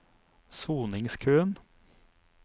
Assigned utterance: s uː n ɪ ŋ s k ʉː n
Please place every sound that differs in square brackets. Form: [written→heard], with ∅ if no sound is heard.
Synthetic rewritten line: s uː n ɪ ŋ s [k→kʰ] ʉː n

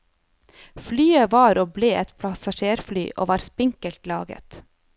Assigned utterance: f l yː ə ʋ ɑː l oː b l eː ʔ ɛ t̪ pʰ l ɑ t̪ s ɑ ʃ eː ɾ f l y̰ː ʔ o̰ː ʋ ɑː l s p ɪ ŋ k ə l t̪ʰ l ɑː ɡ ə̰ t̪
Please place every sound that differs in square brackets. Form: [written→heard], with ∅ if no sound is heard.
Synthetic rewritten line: f l yː ə ʋ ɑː [l→ɾ] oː b l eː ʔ ɛ t̪ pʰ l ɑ [t̪→∅] s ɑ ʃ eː ɾ f l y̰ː ʔ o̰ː ʋ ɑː [l→ɾ] s p ɪ ŋ k ə l [t̪ʰ→t̪] l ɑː ɡ ə̰ t̪

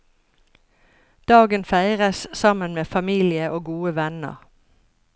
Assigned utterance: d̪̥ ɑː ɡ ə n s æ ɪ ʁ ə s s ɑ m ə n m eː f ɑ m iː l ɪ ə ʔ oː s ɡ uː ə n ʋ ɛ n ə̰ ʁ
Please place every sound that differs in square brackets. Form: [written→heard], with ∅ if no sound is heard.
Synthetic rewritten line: d̪̥ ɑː ɡ ə n [s→f] æ ɪ ʁ ə s s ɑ m ə n m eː f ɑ m iː l ɪ ə ʔ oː [s→∅] ɡ uː ə [n→∅] ʋ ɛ n ə̰ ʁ

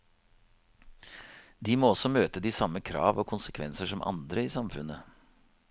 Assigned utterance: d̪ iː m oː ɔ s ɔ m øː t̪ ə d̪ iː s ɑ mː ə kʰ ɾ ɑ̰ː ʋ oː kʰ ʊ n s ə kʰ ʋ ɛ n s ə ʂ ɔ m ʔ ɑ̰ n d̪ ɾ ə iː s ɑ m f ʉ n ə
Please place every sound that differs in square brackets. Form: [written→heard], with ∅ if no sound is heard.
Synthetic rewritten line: d̪ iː m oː ɔ s ɔ m øː t̪ ə d̪ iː s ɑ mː ə kʰ ɾ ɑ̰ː ʋ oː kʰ ʊ n s ə kʰ ʋ ɛ n s ə ʂ ɔ m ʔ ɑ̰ n d̪ ɾ ə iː s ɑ m f ʉ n ə

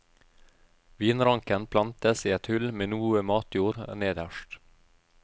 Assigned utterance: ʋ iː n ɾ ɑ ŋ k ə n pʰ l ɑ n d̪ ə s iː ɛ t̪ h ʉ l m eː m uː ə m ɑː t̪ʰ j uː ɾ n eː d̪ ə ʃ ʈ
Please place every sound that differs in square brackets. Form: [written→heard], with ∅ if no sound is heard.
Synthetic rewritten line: ʋ iː n ɾ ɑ ŋ k ə n pʰ l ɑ n [d̪→t̪] ə s iː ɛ t̪ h ʉ l m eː [m→n] uː ə m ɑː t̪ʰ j uː ɾ n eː d̪ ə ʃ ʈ

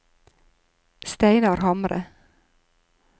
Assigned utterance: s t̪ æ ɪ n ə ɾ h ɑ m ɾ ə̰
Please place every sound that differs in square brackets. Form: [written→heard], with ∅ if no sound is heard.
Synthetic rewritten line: s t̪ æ ɪ n [ə→ɑ] ɾ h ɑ m ɾ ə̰

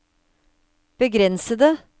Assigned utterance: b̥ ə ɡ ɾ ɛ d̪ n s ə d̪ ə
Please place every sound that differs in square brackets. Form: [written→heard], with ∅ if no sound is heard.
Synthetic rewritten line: b̥ ə ɡ ɾ ɛ [d̪→∅] n s ə d̪ ə

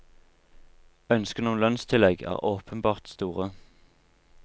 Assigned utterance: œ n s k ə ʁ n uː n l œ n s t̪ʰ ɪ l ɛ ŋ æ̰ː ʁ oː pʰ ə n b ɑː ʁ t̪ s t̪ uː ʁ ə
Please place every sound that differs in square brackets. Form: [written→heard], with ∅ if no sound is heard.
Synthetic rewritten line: œ n s k ə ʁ n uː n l œ n s t̪ʰ ɪ l ɛ [ŋ→ɡ] æ̰ː ʁ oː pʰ ə n b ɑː ʁ t̪ s t̪ uː ʁ ə

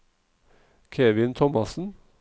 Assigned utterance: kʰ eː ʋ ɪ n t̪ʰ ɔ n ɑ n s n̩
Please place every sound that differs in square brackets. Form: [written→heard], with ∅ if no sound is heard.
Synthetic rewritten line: kʰ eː ʋ ɪ n t̪ʰ ɔ [n→m] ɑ [n→∅] s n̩

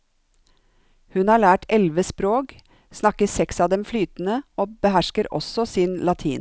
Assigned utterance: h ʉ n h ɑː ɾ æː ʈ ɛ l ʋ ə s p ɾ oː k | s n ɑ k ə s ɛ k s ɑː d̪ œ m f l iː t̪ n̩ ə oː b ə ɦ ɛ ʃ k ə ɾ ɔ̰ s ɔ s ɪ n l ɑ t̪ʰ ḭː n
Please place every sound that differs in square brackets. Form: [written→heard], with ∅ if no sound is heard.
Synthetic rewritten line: h ʉ n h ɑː [ɾ→ɭ] æː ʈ ɛ l ʋ ə s p ɾ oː k | s n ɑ k ə s ɛ k s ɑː d̪ [œ→ɛ] m f l [iː→yː] t̪ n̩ ə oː b ə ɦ [ɛ→æ] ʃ k ə ɾ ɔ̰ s ɔ s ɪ n l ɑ t̪ʰ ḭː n

